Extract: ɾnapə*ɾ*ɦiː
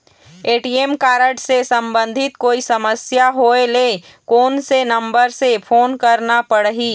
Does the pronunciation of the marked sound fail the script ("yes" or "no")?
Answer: yes